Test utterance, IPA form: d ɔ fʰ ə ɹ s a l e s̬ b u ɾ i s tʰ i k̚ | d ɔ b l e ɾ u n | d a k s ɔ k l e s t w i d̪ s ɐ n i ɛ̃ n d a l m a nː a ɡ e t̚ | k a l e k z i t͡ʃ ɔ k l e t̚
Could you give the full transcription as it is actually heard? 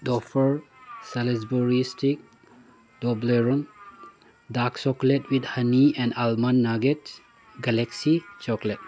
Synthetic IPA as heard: d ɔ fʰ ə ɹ s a l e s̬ b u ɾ i s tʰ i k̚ | d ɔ b l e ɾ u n | d a k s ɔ k l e t w i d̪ h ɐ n i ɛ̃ n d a l m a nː a ɡ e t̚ | ɡ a l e k s i t͡ʃ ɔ k l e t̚